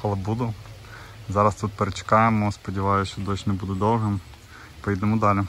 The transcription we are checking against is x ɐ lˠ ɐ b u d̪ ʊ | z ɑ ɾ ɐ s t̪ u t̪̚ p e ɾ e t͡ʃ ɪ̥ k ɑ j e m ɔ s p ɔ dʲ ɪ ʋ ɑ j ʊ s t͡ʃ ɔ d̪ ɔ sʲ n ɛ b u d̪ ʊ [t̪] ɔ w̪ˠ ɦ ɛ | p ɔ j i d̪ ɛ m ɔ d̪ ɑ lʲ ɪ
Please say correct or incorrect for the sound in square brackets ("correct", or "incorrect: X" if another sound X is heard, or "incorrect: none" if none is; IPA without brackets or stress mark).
incorrect: d̪